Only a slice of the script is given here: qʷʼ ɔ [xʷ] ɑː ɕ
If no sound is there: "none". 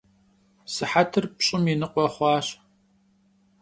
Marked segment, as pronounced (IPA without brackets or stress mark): χʷ